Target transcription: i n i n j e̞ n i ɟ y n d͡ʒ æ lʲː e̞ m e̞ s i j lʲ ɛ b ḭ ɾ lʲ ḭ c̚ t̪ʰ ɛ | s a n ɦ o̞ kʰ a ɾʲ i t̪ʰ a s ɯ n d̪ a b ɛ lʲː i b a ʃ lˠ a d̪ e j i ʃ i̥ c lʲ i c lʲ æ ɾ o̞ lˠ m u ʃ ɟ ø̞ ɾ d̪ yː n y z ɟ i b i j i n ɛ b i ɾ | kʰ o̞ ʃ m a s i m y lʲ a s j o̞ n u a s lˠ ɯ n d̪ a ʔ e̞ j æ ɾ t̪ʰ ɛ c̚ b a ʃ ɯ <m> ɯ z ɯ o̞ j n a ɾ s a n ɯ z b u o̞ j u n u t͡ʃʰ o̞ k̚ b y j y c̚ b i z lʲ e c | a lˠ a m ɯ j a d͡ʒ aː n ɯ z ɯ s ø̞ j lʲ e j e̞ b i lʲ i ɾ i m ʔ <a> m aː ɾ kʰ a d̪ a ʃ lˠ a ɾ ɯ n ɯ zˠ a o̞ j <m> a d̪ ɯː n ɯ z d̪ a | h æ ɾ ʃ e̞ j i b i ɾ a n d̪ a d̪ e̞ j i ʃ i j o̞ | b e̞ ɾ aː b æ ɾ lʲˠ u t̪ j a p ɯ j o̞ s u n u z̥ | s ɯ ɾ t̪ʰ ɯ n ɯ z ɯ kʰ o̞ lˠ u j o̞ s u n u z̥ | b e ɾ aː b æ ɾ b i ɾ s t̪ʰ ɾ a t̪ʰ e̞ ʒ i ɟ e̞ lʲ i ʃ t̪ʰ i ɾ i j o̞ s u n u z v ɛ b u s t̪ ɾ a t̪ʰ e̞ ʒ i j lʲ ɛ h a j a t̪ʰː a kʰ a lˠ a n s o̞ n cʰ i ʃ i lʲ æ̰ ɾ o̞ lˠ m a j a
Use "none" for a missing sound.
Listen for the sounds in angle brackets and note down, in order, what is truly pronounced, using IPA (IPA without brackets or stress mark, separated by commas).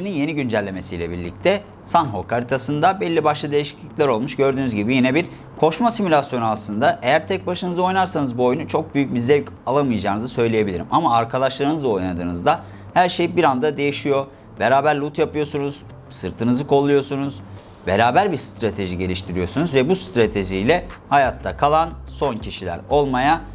n, a, n